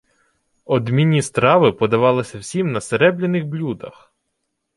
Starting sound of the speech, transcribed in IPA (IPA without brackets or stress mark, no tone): ɔ